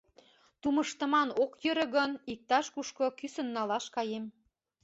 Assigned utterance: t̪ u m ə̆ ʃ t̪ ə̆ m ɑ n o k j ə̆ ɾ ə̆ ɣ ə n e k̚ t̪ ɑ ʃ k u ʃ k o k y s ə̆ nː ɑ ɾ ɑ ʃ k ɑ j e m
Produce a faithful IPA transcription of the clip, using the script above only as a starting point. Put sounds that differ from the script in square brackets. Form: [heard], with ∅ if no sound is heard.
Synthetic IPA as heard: t̪ u m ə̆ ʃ t̪ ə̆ m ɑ n o k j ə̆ ɾ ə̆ ɣ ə n [i] k̚ t̪ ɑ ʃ k u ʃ k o k y s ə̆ nː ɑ [l] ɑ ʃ k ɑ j e m